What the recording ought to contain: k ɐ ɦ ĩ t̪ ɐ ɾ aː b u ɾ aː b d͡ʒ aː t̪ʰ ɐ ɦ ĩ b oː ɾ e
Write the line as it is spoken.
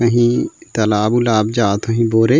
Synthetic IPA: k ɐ ɦ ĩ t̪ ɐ l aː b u l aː b d͡ʒ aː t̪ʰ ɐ ɦ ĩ b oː ɾ e